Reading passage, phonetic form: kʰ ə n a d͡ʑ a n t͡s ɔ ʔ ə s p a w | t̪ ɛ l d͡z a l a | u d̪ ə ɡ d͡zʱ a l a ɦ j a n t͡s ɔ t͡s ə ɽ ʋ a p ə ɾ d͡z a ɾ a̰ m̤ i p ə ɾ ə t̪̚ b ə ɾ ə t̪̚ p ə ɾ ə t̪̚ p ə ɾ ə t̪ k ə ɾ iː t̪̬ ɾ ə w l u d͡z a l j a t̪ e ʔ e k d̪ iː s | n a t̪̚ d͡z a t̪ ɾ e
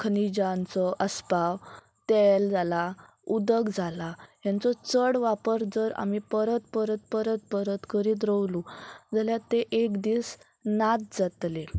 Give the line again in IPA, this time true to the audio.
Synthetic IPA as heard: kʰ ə n i d͡ʑ a n t͡s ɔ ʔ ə s p a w | t̪ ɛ l d͡z a l a | u d̪ ə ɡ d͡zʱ a l a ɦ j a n t͡s ɔ t͡s ə ɽ ʋ a p ə ɾ d͡z ə ɾ a̰ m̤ i p ə ɾ ə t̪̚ p ə ɾ ə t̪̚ p ə ɾ ə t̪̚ p ə ɾ ə t̪ k ə ɾ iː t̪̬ ɾ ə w l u d͡z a l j a t̪ e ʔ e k d̪ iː s | n a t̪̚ d͡z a t̪ l e